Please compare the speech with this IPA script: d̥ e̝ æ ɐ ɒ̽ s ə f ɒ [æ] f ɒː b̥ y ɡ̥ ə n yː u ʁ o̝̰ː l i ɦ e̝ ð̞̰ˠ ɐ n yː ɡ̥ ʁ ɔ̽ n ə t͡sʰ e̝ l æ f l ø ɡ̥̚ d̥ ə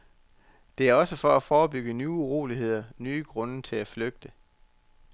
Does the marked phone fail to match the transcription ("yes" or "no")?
no